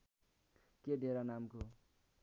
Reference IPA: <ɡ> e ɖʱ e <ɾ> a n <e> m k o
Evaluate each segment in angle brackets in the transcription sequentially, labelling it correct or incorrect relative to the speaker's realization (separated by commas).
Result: incorrect, correct, incorrect